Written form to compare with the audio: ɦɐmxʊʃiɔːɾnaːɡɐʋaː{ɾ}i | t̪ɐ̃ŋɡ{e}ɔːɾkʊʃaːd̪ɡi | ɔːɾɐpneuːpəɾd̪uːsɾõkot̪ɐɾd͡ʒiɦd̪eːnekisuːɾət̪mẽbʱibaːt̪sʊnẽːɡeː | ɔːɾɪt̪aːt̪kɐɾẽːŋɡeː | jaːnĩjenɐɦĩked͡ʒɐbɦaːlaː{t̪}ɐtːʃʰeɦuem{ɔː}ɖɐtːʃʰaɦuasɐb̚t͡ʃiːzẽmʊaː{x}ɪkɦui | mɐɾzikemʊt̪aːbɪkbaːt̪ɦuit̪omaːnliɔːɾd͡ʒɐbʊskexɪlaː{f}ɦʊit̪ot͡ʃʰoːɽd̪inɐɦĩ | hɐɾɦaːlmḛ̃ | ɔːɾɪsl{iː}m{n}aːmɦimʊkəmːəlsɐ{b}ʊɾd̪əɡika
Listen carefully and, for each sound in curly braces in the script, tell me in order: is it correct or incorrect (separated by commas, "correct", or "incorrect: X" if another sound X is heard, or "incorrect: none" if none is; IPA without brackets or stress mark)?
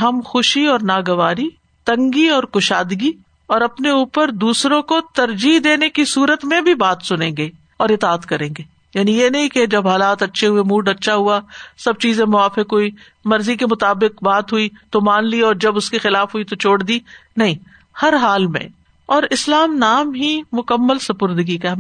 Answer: correct, incorrect: i, correct, incorrect: uː, incorrect: f, correct, incorrect: aː, correct, incorrect: p